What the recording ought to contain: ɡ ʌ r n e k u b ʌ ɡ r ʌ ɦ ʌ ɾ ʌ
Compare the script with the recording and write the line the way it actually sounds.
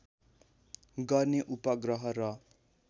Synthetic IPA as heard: ɡ ʌ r n e ʔ u p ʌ ɡ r ʌ ɦ ʌ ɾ ʌ